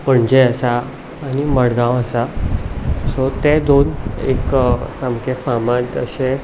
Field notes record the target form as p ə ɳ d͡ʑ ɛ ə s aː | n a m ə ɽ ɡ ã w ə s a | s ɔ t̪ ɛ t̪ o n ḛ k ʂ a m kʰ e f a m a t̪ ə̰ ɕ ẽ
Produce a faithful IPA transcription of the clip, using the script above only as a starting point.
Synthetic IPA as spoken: p ə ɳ d͡ʑ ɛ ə s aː | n i m ə ɽ ɡ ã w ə s a | s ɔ t̪ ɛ d̪ o n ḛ k s a m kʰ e f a m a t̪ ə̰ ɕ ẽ